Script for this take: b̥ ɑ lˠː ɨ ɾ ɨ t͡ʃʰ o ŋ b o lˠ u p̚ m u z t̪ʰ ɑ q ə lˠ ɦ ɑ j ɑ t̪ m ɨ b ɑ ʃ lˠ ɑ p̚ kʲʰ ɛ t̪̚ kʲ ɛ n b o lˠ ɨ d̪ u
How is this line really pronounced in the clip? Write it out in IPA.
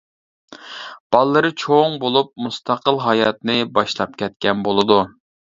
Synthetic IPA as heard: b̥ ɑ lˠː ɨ ɾ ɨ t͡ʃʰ o ŋ b o lˠ u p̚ m u s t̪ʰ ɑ q ə lˠ ɦ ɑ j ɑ t̪ n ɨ b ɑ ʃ lˠ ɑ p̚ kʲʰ ɛ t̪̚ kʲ ɛ n b o lˠ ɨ d̪ u